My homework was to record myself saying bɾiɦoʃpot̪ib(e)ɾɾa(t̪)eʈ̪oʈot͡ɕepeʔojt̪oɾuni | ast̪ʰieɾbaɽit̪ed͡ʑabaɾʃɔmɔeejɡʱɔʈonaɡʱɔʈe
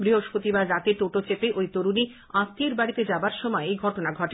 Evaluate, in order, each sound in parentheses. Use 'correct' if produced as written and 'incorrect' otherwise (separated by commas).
incorrect, correct